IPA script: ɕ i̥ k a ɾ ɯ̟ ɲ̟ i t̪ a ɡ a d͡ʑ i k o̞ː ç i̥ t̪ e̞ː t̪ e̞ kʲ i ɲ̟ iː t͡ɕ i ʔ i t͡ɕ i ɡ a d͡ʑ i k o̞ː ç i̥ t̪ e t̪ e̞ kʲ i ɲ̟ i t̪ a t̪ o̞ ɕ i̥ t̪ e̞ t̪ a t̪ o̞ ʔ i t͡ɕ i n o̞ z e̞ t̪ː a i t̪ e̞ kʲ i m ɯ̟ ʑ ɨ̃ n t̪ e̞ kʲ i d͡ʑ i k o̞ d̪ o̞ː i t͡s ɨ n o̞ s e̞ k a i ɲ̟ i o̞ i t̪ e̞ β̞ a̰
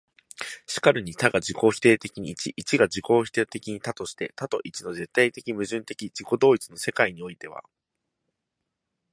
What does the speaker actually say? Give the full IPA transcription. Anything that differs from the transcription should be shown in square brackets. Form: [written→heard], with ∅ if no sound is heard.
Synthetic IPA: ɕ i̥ k a ɾ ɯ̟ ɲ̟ i t̪ a ɡ a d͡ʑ i k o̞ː ç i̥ t̪ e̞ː t̪ e̞ kʲ i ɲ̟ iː t͡ɕ i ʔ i t͡ɕ i ɡ a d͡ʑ i k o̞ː ç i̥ t̪ e t̪ e̞ kʲ i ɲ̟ i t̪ a t̪ o̞ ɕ i̥ t̪ e̞ t̪ a t̪ o̞ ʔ i t͡ɕ i n o̞ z e̞ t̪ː a i t̪ e̞ kʲ i m ɯ̟ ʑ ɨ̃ n t̪ e̞ kʲ i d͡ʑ i k o̞ d̪ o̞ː i t͡s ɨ n o̞ s e̞ k a i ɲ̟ i o̞ i t̪ e̞ β̞ a̰